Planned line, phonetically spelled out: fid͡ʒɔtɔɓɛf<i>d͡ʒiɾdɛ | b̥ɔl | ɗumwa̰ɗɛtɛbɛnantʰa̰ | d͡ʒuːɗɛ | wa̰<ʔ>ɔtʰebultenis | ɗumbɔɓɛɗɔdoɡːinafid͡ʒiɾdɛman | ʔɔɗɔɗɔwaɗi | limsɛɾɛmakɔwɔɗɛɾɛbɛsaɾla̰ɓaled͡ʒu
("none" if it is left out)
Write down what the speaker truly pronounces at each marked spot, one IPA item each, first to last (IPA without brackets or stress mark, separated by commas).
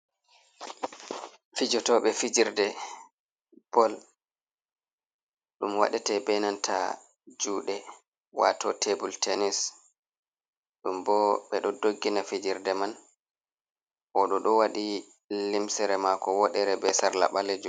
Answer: i, t